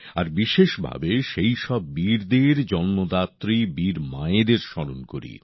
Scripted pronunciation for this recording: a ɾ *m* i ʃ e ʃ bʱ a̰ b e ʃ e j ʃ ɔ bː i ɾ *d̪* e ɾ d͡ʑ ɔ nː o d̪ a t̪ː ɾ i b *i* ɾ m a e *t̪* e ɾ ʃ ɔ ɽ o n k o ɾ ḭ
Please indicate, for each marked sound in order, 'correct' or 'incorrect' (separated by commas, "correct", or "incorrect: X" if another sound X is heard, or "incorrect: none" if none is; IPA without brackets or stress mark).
incorrect: b, correct, correct, incorrect: d̪